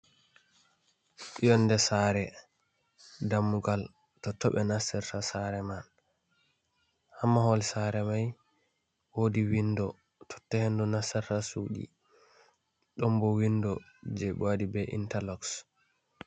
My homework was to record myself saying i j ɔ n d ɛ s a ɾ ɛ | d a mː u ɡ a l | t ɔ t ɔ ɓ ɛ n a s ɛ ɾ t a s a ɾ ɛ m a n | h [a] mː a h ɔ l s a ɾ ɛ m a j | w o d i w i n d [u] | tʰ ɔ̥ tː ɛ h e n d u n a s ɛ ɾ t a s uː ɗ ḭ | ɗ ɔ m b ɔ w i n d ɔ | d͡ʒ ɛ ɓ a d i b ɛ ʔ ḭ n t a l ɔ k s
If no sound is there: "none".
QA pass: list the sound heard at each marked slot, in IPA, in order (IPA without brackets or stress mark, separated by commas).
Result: a, ɔ